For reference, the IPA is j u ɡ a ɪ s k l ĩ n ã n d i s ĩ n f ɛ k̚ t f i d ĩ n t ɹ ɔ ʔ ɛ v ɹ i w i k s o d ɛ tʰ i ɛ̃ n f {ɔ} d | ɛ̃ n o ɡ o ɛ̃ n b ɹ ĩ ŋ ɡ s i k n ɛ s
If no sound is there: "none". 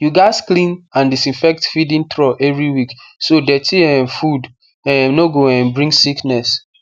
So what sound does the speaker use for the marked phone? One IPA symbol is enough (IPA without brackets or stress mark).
u